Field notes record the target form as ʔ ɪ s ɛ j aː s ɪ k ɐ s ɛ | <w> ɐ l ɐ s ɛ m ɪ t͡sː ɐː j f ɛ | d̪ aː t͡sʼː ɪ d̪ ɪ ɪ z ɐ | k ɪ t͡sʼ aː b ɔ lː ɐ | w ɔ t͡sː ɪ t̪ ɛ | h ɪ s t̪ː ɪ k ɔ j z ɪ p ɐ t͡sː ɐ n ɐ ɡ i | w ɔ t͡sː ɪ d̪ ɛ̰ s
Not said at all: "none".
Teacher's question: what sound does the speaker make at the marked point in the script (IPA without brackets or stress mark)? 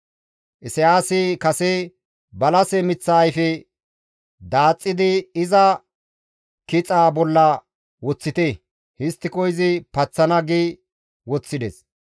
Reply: b